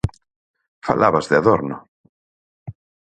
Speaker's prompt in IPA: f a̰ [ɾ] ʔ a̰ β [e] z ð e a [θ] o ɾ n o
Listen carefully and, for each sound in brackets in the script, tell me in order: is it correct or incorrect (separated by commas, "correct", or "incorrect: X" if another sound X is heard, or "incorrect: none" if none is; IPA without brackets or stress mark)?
incorrect: l, incorrect: a, incorrect: ð